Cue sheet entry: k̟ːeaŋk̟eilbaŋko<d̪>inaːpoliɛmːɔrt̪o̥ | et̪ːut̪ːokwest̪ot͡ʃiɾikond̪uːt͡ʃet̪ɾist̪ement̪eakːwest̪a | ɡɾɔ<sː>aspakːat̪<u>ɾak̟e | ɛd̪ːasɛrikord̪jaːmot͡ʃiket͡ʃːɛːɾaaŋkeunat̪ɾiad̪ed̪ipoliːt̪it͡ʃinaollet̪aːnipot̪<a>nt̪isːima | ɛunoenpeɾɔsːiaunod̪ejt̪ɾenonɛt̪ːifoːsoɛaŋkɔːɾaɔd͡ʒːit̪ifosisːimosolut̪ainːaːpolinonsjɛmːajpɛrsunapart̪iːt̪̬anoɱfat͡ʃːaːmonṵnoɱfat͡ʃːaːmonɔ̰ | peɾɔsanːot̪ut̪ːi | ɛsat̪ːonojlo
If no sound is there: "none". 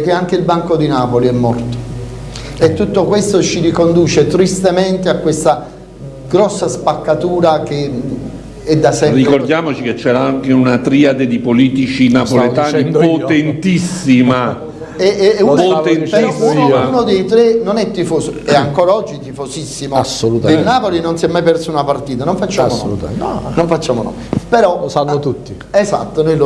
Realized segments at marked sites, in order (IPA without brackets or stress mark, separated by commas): d̪, sː, uː, e